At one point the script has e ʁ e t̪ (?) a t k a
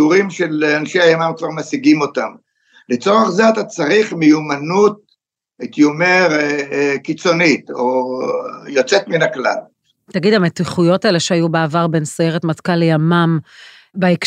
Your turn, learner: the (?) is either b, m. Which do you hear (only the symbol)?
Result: m